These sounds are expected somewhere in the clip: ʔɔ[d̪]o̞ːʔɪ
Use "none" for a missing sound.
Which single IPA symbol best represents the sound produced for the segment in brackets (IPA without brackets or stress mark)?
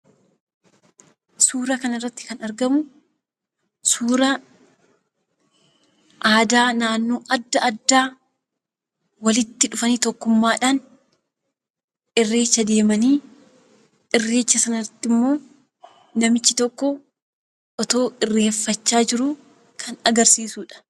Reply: t̪